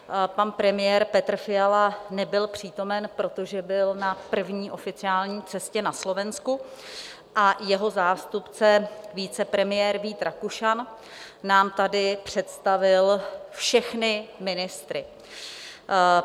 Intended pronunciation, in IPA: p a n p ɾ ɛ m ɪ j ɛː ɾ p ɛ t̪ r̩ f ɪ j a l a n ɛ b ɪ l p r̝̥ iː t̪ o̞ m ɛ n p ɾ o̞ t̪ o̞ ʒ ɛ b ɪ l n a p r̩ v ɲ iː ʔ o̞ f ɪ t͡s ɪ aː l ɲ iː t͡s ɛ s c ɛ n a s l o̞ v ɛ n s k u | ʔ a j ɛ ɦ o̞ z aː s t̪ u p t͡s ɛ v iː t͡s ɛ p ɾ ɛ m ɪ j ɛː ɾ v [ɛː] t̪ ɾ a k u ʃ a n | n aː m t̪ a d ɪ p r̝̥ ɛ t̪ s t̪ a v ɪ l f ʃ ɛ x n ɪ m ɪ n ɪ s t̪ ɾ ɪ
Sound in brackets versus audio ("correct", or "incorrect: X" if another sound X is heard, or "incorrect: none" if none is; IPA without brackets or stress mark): incorrect: iː